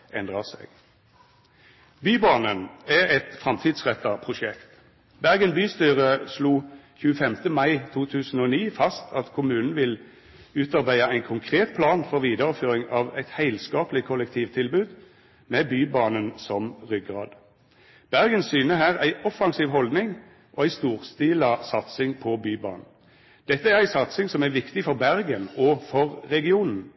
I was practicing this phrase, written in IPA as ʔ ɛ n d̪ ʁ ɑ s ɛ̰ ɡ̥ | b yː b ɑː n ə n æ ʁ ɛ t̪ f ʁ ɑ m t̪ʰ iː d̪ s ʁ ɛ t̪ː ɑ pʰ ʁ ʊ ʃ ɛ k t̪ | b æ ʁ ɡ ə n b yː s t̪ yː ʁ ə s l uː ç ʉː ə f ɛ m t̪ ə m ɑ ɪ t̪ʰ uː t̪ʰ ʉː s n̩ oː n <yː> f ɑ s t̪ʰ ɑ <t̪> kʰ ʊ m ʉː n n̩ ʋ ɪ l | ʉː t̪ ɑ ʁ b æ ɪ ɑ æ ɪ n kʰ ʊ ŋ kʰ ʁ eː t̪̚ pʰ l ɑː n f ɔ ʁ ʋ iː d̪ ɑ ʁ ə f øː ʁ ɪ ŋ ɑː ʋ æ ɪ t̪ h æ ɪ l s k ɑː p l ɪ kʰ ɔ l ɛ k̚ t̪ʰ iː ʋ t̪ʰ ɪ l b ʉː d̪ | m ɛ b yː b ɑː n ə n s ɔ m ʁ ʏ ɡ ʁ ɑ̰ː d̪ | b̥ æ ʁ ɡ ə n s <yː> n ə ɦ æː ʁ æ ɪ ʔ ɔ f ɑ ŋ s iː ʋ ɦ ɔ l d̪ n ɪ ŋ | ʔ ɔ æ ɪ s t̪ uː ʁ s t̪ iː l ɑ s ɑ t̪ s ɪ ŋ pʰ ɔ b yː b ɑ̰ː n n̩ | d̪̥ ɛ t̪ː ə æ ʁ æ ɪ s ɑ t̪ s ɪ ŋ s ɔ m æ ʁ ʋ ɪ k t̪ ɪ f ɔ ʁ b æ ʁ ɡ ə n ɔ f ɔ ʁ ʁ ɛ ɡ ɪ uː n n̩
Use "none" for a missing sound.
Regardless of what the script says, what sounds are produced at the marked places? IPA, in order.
iː, t̪, yː

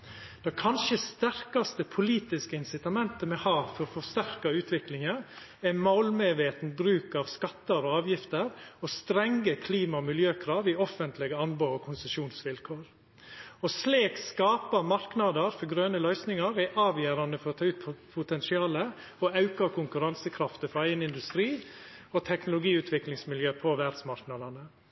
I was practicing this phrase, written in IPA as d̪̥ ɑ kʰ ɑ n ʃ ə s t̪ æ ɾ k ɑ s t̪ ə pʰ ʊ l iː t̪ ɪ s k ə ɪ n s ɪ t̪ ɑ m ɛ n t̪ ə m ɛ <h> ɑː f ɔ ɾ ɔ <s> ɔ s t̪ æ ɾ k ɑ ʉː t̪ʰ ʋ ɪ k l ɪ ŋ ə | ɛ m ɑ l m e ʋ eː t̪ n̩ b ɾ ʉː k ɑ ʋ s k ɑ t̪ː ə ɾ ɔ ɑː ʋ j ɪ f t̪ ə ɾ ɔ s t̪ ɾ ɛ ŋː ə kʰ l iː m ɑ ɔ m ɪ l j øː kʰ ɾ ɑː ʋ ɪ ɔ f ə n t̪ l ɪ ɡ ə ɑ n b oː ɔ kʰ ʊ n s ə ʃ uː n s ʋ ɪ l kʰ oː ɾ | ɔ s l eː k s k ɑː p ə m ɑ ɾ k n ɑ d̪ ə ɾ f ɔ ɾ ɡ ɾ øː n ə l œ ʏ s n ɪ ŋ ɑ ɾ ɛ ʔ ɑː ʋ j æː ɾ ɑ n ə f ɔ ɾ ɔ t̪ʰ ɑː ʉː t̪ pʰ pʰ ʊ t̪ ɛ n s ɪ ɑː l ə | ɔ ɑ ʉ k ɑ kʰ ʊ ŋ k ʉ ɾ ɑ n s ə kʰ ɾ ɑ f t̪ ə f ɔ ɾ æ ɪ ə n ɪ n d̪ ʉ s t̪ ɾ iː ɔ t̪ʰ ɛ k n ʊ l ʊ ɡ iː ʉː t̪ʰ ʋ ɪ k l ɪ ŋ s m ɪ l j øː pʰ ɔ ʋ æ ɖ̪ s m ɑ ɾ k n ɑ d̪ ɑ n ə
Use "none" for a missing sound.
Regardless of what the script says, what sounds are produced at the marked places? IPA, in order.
h, f

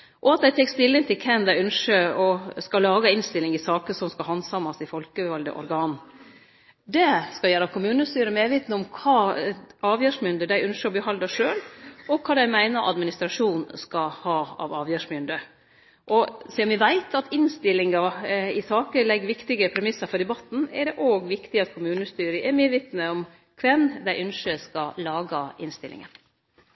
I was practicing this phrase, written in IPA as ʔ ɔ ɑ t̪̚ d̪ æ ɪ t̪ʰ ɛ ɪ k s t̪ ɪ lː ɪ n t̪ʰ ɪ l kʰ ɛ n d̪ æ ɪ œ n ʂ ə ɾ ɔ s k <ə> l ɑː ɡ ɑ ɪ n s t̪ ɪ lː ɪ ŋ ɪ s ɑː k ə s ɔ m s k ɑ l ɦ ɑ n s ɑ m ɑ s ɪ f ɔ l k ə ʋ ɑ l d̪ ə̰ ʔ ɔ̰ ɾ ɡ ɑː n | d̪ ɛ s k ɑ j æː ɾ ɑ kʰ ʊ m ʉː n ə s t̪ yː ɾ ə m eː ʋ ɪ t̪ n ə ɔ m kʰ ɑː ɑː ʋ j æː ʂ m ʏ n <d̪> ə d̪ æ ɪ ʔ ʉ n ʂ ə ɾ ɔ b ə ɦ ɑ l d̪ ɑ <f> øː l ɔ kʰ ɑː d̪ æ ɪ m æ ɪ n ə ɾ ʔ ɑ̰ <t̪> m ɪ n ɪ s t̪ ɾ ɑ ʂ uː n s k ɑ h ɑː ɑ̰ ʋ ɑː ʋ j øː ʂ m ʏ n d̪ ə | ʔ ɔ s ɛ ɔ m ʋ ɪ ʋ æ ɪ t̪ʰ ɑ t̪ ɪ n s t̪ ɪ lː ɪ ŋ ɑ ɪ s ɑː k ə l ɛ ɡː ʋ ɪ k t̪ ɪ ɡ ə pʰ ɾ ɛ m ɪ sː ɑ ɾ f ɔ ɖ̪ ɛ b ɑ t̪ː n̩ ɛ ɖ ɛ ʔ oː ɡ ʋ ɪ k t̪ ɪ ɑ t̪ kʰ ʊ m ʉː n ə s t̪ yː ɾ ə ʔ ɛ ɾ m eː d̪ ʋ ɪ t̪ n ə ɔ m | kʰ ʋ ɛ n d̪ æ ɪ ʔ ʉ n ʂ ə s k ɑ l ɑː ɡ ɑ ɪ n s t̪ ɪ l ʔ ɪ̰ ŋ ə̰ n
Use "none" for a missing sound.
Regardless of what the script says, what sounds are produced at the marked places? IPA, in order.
ɑ, d̪, ʂ, d̪

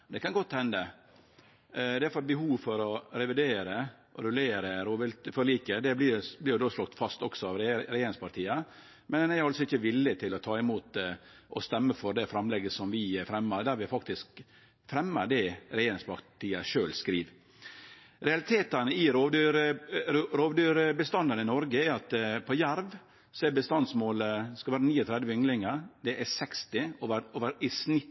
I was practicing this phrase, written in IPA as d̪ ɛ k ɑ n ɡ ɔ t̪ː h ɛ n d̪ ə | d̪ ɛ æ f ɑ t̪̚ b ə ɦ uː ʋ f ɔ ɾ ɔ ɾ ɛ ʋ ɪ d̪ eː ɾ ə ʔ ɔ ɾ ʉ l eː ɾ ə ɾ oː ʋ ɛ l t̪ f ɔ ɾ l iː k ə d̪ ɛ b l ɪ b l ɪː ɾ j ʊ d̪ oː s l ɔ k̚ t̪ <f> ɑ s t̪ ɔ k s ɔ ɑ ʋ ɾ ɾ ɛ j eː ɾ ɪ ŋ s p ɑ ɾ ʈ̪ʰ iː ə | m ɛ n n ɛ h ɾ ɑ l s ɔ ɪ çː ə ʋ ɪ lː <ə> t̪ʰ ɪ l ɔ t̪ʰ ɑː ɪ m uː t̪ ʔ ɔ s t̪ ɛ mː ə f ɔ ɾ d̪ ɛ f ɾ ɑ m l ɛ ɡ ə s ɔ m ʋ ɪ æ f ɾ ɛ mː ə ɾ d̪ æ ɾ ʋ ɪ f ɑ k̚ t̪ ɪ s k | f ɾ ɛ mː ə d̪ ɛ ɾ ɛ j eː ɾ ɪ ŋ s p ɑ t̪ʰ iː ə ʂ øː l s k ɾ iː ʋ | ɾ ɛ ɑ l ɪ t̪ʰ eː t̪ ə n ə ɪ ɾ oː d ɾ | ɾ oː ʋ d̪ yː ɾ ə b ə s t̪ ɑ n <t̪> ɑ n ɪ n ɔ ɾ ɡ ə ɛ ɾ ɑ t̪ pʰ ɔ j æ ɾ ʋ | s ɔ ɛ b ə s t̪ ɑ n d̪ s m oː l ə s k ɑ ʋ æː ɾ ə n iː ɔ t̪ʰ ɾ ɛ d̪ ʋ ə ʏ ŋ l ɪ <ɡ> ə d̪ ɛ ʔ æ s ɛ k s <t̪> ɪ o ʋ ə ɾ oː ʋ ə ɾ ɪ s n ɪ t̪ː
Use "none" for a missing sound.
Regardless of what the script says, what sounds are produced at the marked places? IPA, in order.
f, ə, d̪, ŋ, t̪

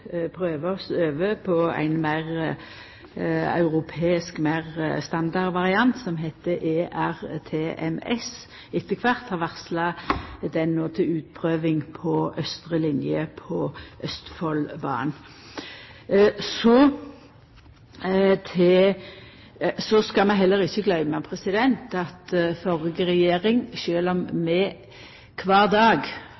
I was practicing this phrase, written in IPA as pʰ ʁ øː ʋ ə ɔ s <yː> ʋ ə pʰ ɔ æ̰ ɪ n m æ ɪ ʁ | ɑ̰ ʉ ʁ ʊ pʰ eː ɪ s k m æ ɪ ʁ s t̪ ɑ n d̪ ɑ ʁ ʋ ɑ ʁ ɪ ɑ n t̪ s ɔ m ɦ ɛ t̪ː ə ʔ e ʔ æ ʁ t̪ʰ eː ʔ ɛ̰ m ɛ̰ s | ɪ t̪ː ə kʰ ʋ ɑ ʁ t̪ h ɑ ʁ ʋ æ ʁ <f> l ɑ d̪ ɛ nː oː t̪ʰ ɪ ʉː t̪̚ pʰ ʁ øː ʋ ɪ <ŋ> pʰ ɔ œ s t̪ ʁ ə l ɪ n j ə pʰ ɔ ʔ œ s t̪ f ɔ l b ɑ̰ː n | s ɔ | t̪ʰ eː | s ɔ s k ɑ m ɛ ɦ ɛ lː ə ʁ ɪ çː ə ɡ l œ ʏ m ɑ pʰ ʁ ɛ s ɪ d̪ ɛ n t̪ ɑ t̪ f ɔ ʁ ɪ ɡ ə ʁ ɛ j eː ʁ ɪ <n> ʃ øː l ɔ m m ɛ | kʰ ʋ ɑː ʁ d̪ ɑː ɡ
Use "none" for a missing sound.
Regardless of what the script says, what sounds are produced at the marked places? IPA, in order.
øː, s, ŋ, ŋ

